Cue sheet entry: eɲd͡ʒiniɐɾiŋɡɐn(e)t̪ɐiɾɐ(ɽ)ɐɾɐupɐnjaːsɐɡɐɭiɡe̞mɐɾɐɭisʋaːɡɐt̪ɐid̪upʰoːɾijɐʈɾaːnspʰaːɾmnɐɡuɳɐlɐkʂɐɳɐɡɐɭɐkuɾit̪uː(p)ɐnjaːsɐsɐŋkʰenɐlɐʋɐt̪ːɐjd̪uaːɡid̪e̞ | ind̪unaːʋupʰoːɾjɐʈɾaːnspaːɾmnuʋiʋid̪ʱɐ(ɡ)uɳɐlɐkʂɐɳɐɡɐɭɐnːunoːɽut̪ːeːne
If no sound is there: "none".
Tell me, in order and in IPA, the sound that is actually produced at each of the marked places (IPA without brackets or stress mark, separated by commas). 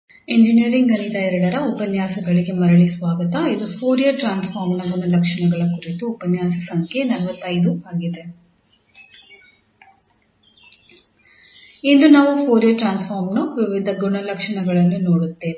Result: i, ɽ, p, ɡ